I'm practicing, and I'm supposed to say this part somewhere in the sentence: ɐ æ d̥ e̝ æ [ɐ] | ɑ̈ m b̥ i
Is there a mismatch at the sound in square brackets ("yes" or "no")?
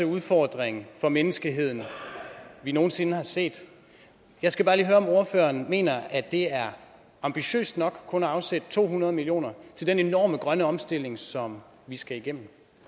no